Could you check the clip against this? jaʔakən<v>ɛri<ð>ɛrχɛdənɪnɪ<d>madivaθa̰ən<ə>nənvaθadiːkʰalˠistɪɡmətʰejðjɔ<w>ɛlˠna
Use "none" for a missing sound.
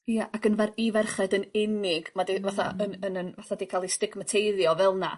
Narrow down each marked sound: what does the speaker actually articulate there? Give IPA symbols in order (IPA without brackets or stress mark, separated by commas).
v, v, ɡ, ə, v